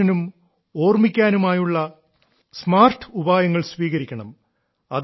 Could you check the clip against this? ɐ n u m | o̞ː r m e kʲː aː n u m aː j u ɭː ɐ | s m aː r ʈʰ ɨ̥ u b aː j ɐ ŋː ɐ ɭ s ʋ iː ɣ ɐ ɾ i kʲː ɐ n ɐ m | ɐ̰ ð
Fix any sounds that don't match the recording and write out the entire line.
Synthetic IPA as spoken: ɐ n u m | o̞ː r m i kʲː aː n u m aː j u ɭː ɐ | s m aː r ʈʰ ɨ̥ u b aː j ɐ ŋː ɐ ɭ s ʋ iː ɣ ɐ ɾ i kʲː ɐ ɳ ɐ m | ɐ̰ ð